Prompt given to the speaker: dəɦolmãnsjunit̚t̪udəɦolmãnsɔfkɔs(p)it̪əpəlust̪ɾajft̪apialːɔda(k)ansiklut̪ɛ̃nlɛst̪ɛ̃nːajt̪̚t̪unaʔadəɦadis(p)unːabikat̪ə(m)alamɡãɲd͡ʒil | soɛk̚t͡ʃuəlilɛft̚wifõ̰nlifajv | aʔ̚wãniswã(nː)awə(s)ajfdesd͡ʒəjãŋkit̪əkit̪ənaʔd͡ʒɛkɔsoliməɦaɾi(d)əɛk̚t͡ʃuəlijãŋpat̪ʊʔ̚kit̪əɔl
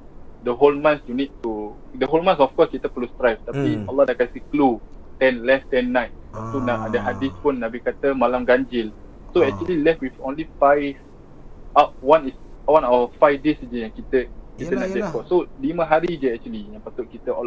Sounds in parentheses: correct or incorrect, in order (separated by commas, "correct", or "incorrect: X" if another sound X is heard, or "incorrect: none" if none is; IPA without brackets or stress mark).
incorrect: k, correct, correct, correct, incorrect: n, incorrect: f, incorrect: d͡ʒ